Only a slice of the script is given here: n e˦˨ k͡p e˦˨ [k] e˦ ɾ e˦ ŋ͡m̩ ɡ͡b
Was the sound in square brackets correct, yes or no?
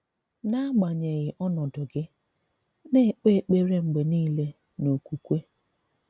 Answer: no